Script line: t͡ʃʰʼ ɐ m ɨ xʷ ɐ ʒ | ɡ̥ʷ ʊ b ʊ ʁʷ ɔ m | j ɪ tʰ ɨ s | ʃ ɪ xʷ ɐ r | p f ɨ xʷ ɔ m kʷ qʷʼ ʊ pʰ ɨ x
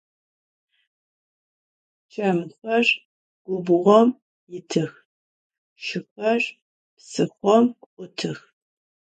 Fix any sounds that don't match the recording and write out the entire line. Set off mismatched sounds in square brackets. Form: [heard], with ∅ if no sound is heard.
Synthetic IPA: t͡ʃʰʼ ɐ m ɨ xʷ ɐ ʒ | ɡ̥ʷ ʊ b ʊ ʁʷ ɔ m | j ɪ tʰ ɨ [x] | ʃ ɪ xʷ ɐ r | p [s] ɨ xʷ ɔ m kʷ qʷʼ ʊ [tʰ] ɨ x